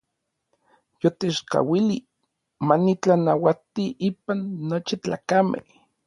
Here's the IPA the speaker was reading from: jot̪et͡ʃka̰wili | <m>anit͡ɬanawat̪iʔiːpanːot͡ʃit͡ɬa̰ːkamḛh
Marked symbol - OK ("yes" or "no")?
yes